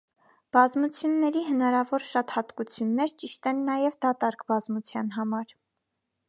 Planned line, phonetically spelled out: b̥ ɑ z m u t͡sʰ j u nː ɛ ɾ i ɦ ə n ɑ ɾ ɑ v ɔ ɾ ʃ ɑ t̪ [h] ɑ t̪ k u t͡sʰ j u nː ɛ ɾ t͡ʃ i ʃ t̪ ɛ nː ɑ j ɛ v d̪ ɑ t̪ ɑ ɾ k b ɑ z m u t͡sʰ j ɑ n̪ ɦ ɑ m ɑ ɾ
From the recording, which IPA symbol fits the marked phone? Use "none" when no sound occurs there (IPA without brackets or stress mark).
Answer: h